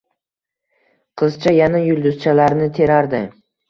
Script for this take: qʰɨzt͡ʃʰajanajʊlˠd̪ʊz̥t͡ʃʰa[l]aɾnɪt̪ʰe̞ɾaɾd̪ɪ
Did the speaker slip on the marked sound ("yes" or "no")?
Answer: no